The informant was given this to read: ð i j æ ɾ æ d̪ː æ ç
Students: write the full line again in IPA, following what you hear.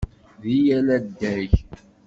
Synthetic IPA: ð i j æ l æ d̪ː æ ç